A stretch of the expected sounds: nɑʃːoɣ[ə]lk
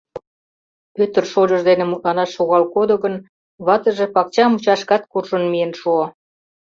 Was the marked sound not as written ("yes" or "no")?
yes